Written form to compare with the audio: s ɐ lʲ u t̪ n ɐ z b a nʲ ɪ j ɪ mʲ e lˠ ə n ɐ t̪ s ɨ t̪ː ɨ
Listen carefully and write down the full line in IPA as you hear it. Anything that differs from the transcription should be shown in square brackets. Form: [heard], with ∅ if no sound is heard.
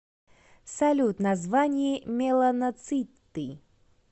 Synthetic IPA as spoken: s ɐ lʲ u t̪ n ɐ z [v] a nʲ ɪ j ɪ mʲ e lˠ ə n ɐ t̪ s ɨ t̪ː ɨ